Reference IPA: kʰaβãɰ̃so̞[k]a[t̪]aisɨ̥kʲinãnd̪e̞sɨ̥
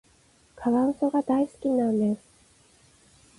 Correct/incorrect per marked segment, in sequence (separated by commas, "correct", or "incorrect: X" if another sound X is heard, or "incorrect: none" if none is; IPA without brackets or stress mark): incorrect: ɡ, incorrect: d̪